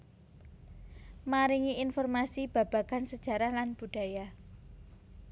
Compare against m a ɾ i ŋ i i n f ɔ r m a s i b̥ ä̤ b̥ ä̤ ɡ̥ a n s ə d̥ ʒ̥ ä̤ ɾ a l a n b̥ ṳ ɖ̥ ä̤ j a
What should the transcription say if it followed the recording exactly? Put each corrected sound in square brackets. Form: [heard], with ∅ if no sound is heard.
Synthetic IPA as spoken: m a ɾ i ŋ i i n f ɔ r m a s i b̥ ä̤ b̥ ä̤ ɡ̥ a n s ə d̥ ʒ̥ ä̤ ɾ a l a n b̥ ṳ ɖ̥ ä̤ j a

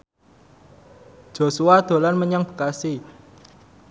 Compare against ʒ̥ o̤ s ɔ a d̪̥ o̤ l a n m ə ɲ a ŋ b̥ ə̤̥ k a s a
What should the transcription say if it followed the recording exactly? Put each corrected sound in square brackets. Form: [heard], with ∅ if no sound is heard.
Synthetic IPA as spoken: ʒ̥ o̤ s [u] a d̪̥ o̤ l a n m ə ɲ a ŋ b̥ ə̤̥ k a s [i]

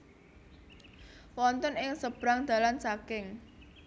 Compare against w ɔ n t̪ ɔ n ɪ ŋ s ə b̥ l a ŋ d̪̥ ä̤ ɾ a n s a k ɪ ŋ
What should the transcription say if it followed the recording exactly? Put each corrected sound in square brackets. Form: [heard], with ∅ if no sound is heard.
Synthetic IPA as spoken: w ɔ n t̪ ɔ n ɪ ŋ s ə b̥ [ɾ] a ŋ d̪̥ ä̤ [l] a n s a k ɪ ŋ

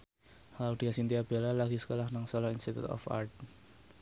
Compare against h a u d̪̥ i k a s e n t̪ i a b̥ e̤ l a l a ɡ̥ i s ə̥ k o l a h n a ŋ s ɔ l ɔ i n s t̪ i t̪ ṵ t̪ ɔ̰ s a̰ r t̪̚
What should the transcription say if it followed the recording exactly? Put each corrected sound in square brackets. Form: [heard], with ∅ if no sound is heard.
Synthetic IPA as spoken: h a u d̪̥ i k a s [i] n t̪ i a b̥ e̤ l a l a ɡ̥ i s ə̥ k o l a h n a ŋ s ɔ l ɔ i n s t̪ i t̪ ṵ t̪ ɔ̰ [f] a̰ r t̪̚

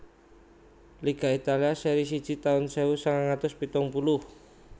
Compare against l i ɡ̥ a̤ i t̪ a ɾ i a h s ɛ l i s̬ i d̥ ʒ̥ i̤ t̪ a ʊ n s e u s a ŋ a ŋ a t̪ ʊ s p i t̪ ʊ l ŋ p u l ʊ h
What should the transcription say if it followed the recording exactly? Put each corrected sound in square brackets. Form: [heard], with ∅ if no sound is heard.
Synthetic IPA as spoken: l i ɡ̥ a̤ i t̪ a [l] i a [∅] s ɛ [ɾ] i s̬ i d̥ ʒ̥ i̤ t̪ a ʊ n s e u s a ŋ a ŋ a t̪ ʊ s p i t̪ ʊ [∅] ŋ p u l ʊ h

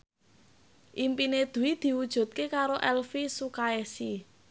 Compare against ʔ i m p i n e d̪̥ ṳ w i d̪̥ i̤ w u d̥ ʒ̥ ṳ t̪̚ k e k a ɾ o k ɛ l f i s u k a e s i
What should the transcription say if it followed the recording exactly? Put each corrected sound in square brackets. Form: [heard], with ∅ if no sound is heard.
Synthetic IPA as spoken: ʔ i m p i n e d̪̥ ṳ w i d̪̥ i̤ w u d̥ ʒ̥ ṳ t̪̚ k e k a ɾ o [ʔ] ɛ l f i s u k a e s i

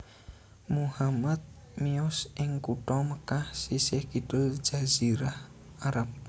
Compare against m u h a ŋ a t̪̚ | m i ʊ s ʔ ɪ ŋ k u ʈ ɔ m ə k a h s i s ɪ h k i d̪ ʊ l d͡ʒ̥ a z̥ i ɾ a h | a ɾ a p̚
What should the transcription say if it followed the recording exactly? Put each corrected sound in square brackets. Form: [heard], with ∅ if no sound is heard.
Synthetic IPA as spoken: m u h a [m] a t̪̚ | m i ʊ s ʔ ɪ ŋ k u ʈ ɔ m ə k a h s i s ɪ h k i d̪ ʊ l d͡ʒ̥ a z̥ i ɾ a h | a ɾ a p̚

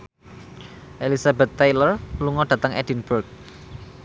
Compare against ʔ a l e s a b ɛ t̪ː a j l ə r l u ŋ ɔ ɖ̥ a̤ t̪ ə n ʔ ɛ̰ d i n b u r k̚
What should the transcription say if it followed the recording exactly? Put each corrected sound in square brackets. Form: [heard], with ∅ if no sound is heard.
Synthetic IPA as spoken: ʔ [e] l [i] s a b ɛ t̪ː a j l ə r l u ŋ ɔ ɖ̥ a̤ t̪ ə [ŋ] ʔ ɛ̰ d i n b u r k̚

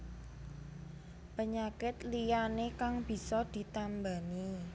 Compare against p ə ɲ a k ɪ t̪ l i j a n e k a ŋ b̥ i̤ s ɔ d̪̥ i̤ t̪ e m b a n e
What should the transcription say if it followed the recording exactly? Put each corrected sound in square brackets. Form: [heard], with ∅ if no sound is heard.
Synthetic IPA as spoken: p ə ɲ a k ɪ t̪ l i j a n e k a ŋ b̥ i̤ s ɔ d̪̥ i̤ t̪ [a] m b a n [i]

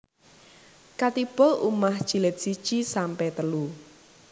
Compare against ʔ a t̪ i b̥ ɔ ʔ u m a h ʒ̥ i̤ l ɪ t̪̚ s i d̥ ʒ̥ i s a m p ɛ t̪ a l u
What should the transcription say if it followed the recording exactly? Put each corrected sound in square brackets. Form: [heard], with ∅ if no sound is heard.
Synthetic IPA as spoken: [k] a t̪ i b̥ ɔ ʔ u m a h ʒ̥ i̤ l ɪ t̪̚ s i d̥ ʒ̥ i s a m p ɛ t̪ [ə] l u

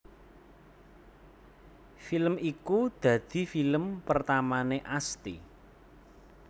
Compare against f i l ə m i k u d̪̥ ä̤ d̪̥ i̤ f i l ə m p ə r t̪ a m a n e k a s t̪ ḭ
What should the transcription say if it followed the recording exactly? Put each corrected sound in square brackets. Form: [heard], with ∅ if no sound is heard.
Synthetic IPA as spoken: f i l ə m i k u d̪̥ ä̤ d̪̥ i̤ f i l ə m p ə r t̪ a m a n e [ʔ] a s t̪ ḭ

